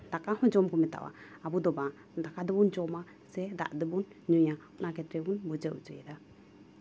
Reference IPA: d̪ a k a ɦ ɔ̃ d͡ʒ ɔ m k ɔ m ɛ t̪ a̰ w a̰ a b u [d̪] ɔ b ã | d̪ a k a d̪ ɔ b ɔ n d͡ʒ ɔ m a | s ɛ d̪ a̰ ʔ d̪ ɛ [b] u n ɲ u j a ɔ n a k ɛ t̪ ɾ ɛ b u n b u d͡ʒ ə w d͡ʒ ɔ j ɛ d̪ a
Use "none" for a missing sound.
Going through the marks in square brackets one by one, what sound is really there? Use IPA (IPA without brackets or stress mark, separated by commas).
d̪, b